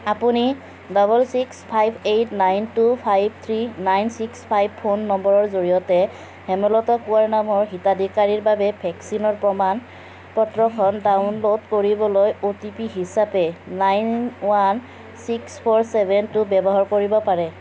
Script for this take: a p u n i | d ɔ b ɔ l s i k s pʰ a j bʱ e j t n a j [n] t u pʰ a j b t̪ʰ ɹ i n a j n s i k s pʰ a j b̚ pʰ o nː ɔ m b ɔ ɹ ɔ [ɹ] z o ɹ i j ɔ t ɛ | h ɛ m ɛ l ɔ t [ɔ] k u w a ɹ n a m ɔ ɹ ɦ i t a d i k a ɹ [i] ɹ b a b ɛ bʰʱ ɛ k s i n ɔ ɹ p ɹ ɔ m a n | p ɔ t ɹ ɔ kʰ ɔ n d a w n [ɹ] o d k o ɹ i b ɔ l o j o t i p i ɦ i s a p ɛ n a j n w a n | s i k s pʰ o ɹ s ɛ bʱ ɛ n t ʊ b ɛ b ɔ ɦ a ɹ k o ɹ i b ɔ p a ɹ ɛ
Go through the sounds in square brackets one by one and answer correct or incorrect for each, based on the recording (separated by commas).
correct, correct, correct, correct, incorrect